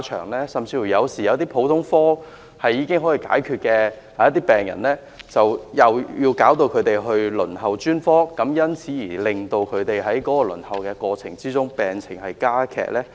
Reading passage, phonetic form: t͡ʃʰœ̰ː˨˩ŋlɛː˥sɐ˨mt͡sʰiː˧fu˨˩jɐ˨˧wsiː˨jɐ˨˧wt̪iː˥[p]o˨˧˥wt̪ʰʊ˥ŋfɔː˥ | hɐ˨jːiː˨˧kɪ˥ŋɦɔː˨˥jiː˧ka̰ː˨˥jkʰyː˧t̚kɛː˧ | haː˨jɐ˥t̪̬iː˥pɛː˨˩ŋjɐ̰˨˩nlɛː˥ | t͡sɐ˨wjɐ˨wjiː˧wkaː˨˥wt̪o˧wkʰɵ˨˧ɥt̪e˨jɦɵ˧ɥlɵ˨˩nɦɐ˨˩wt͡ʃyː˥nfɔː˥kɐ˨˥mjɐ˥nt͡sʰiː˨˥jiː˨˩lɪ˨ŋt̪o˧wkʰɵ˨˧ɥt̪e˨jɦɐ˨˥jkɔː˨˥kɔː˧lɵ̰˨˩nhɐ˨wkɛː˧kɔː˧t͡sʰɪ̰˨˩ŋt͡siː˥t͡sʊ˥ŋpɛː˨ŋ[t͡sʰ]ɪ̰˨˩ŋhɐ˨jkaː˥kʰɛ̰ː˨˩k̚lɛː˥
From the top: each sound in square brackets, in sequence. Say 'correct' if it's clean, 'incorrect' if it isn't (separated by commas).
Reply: incorrect, correct